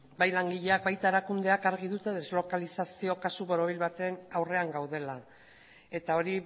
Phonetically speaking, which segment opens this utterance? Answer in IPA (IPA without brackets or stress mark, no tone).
b